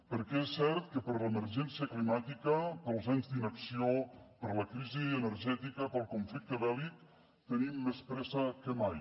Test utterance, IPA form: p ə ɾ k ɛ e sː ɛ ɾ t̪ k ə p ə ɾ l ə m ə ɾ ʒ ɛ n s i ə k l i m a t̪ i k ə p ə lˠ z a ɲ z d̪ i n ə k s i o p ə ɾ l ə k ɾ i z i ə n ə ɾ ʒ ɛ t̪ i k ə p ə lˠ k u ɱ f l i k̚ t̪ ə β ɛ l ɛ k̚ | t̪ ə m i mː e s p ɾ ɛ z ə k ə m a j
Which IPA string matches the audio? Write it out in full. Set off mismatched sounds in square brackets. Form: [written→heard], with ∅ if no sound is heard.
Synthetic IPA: p ə ɾ k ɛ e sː ɛ ɾ t̪ k ə p ə ɾ l ə m ə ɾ ʒ ɛ n s i ə k l i m a t̪ i k ə p ə lˠ z a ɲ z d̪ i n ə k s i o p ə ɾ l ə k ɾ i z i ə n ə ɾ ʒ ɛ t̪ i k ə p ə lˠ k u ɱ f l i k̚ t̪ ə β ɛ l [ɛ→i] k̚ | t̪ ə [m→n] i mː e s p ɾ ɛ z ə k ə m a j